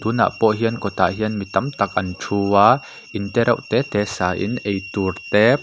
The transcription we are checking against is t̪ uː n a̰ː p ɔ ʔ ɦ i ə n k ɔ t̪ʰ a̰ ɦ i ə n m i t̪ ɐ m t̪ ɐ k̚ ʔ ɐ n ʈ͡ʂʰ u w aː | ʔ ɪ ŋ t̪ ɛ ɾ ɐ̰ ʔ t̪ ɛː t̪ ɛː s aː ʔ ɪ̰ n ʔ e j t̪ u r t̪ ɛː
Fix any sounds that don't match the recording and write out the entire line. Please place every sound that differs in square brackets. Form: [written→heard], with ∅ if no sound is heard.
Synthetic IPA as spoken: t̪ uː n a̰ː p ɔ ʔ ɦ i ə n k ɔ [t̪ʰ→t̪] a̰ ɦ i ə n m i t̪ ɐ m t̪ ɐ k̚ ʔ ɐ n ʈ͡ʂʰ u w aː | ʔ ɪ [ŋ→n] t̪ ɛ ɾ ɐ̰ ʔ t̪ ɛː t̪ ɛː s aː ʔ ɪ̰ n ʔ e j t̪ u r t̪ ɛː